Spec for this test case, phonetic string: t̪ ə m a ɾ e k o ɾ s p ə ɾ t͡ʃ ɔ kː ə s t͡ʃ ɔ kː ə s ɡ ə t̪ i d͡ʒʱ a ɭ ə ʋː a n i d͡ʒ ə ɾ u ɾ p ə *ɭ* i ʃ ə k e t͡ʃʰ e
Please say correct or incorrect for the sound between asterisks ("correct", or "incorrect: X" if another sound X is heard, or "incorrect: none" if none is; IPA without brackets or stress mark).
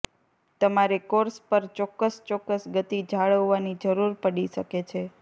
incorrect: ɽ